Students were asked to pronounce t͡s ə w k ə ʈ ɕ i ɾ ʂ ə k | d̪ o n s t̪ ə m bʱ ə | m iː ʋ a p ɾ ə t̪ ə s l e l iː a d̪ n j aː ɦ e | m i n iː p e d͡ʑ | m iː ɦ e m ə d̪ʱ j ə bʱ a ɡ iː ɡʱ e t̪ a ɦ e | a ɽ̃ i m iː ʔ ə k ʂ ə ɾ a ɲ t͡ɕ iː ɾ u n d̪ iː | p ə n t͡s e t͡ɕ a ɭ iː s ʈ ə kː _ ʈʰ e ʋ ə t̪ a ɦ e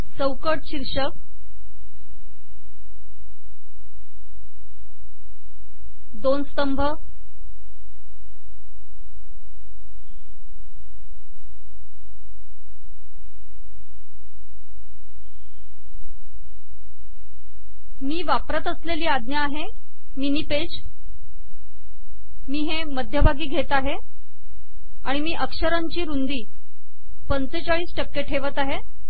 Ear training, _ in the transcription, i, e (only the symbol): e